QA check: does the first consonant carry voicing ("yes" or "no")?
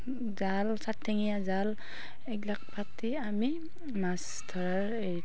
yes